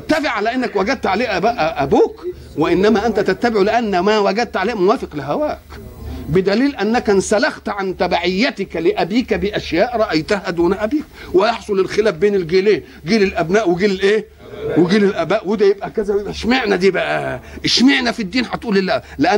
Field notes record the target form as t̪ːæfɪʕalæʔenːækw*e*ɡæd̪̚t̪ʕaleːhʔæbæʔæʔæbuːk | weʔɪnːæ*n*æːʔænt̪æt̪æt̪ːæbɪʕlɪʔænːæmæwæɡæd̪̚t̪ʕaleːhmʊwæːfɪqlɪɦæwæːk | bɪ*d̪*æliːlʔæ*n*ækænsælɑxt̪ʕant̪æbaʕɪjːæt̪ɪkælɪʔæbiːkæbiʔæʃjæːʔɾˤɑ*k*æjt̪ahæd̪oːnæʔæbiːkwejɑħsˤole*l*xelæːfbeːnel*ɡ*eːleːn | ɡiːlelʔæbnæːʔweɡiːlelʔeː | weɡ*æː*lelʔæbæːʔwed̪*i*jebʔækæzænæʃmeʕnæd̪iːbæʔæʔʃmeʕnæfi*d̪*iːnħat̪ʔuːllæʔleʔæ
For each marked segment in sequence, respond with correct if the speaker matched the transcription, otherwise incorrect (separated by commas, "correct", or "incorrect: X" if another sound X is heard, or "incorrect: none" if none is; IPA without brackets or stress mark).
incorrect: æ, incorrect: m, correct, incorrect: nː, incorrect: ʔ, correct, correct, incorrect: iː, incorrect: æ, incorrect: d̪ː